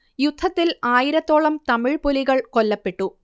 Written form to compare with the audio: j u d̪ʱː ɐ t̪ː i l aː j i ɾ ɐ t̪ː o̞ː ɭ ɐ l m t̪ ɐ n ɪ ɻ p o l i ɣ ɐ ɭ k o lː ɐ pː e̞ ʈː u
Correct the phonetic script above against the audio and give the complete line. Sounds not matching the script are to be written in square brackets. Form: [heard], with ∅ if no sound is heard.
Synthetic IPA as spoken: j u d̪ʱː ɐ t̪ː i l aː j i ɾ ɐ t̪ː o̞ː ɭ ɐ [∅] m t̪ ɐ [m] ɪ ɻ p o l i ɣ ɐ ɭ k o lː ɐ pː e̞ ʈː u